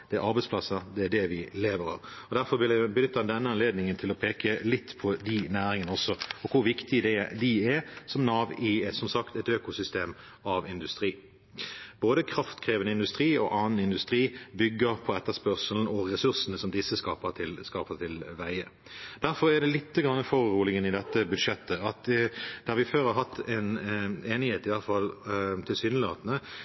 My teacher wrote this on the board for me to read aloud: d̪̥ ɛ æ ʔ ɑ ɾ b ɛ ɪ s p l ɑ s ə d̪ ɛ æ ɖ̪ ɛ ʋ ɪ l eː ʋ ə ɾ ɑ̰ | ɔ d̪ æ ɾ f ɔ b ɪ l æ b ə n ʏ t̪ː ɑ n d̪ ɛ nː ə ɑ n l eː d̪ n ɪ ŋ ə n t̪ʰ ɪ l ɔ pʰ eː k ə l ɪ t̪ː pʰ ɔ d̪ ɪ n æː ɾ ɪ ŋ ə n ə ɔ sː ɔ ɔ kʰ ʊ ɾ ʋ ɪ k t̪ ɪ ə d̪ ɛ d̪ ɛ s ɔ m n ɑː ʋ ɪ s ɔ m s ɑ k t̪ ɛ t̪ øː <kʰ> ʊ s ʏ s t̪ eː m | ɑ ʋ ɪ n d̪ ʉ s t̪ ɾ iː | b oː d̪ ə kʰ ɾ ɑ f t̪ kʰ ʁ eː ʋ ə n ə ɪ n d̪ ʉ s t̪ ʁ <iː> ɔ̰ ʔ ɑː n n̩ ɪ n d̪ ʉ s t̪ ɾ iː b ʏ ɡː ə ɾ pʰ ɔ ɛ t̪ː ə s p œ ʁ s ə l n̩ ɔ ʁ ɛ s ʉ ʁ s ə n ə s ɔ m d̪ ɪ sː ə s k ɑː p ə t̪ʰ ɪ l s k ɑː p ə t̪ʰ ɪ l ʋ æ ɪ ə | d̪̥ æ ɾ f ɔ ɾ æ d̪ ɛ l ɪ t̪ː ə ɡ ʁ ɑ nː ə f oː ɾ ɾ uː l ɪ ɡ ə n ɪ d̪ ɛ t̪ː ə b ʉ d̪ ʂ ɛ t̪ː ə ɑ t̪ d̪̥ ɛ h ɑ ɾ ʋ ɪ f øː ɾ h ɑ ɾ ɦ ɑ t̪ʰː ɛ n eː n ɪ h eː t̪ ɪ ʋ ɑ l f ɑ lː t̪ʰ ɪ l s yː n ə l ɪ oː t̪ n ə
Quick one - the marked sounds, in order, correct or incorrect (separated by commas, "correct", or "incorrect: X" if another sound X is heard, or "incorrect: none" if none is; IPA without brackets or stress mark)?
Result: incorrect: k, correct